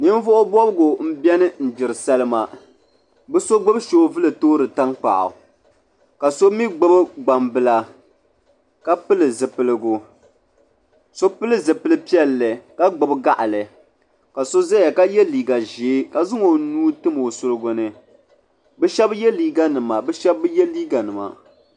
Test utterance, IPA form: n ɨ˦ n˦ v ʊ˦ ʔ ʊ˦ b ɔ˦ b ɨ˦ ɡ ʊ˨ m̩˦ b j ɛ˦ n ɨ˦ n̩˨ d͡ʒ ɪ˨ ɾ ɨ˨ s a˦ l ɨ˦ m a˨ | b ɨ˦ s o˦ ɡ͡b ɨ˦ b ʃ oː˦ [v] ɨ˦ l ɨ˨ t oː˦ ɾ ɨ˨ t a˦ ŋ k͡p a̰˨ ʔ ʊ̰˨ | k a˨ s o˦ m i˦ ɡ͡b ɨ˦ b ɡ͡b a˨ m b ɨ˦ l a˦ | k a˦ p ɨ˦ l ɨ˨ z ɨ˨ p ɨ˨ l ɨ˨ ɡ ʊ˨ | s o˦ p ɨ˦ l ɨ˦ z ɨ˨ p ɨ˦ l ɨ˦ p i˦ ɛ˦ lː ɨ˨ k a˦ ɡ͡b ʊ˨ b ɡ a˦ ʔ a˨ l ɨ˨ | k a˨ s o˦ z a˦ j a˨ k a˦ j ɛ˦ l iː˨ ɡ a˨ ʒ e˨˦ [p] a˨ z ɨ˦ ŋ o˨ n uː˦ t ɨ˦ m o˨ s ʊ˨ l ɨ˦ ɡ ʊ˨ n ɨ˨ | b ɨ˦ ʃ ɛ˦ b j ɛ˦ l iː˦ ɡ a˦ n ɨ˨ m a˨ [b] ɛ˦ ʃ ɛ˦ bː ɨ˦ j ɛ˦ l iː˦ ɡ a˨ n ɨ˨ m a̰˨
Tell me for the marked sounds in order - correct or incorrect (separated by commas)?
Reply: correct, incorrect, correct